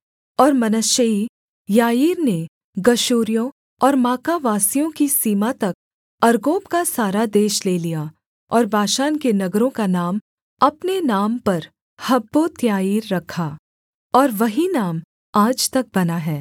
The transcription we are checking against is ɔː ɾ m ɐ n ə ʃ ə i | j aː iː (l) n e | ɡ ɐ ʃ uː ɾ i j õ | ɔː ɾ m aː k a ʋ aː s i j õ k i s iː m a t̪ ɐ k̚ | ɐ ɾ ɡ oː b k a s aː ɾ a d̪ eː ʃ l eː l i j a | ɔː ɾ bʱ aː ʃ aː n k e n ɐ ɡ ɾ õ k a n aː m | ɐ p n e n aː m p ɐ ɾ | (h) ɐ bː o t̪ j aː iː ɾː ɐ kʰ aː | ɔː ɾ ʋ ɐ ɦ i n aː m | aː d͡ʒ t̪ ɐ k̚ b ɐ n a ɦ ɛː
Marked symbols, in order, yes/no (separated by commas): no, yes